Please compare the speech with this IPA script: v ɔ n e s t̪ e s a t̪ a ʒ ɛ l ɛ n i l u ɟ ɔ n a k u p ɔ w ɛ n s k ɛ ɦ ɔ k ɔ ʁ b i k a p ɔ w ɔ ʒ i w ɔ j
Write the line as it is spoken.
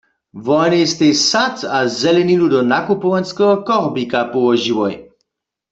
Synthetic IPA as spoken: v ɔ n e s t̪ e s a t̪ a z ɛ l ɛ n i l u d ɔ n a k u p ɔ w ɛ n s k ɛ ɦ ɔ k ɔ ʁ b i k a p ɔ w ɔ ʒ i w ɔ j

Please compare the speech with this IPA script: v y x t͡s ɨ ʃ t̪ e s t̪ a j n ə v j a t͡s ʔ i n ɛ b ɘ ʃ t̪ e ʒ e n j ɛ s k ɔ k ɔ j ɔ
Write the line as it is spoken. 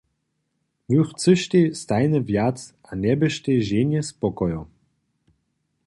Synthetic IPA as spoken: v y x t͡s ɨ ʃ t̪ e s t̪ a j n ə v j a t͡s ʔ a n ɛ b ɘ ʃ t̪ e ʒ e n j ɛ s p ɔ k ɔ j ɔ

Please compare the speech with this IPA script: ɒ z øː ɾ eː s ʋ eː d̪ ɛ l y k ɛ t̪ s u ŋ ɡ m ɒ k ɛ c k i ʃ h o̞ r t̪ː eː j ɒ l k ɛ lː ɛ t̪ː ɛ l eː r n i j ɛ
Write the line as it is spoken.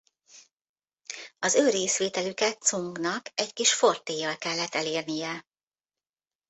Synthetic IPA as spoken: ɒ z øː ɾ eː s ʋ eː t̪ ɛ l y k ɛ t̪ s u ŋ ɡ n ɒ k ɛ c k i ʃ f o̞ r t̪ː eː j ɒ l k ɛ lː ɛ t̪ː ɛ l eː r n i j ɛ

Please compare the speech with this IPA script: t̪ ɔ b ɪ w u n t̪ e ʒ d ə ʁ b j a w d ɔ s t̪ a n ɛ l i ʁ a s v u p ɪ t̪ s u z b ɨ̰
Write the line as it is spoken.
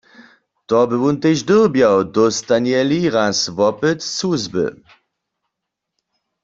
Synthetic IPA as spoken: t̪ ɔ b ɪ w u n t̪ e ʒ d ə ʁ b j a w d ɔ s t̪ a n ɛ l i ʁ a s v ɔ p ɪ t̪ s u z b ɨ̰

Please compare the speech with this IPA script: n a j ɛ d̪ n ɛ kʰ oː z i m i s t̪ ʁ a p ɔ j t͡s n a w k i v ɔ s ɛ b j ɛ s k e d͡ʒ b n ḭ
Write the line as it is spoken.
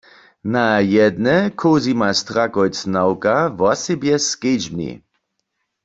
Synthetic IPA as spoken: n a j ɛ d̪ n ɛ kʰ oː z i m a s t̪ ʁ a k ɔ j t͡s n a w k a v ɔ s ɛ b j ɛ s k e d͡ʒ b n ḭ

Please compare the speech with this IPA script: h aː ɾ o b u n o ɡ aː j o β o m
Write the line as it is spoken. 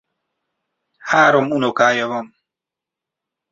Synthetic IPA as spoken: h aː ɾ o m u n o k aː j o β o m

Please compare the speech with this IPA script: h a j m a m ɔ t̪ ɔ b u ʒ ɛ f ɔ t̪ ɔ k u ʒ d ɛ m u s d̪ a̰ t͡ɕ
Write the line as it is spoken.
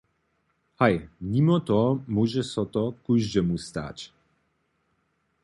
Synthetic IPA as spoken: h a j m i m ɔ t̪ ɔ m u ʒ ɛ s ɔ t̪ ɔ k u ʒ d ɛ m u s t̪ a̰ t͡ɕ

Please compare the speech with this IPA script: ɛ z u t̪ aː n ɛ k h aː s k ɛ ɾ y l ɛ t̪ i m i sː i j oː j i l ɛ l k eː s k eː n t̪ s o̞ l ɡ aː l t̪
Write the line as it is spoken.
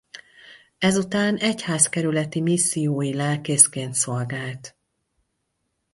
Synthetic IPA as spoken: ɛ z u t̪ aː n ɛ c h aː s k ɛ ɾ y l ɛ t̪ i m i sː i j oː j i l ɛ l k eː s k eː n t̪ s o̞ l ɡ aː l t̪

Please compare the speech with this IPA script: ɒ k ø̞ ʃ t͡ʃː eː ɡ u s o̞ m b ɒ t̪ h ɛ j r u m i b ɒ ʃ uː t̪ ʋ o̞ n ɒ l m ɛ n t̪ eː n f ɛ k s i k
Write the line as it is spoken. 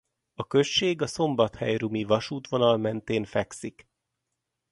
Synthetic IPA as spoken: ɒ k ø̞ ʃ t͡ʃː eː ɡ ɒ s o̞ m b ɒ t̪ h ɛ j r u m i v ɒ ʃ uː t̪ ʋ o̞ n ɒ l m ɛ n t̪ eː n f ɛ k s i k

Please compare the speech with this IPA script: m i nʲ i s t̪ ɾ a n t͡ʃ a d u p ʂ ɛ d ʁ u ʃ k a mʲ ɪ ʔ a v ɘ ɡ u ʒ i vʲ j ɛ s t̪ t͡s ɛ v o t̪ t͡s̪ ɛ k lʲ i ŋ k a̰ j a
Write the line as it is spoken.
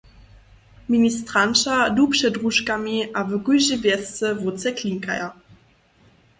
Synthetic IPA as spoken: m i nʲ i s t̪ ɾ a n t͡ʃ a d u p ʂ ɛ d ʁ u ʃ k a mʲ i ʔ a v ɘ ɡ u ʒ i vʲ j ɛ s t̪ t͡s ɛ v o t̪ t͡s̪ ɛ k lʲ i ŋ k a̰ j a

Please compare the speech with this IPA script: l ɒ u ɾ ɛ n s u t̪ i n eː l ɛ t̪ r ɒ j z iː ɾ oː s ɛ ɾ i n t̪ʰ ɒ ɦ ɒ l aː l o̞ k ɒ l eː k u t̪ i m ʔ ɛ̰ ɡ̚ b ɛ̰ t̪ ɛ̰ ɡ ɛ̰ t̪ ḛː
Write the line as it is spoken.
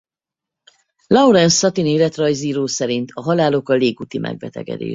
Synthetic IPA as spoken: l ɒ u ɾ ɛ n s ɒ t̪ i n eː l ɛ t̪ r ɒ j z iː ɾ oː s ɛ ɾ i n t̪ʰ ɒ ɦ ɒ l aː l o̞ k ɒ l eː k u t̪ i m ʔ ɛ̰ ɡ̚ b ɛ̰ t̪ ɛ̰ ɡ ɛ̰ d̪ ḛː

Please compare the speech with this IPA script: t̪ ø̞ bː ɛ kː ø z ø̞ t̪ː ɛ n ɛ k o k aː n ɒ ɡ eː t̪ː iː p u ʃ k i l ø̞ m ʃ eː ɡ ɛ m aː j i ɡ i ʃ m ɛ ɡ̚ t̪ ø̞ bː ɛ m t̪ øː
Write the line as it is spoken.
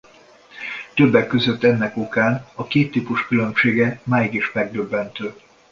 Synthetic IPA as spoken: t̪ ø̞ bː ɛ kː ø z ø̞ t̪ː ɛ nː ɛ k o k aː n ɒ k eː t̪ː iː p u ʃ k y l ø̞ m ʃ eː ɡ ɛ m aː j i ɡ i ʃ m ɛ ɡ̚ d̪ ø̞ bː ɛ n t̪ øː

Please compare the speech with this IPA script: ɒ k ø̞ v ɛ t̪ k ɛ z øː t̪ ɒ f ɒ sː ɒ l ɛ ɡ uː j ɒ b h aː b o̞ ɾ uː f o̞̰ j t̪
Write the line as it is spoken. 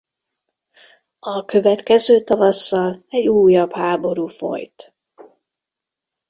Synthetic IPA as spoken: ɒ k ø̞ v ɛ t̪ k ɛ z øː t̪ ɒ v ɒ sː ɒ l ɛ ɟ uː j ɒ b h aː b o̞ ɾ uː f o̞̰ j t̪

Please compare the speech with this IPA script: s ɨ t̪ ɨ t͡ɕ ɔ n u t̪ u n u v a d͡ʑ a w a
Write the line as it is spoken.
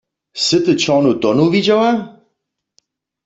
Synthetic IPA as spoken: s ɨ t̪ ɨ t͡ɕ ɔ n u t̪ ɔ n u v i d͡ʑ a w a

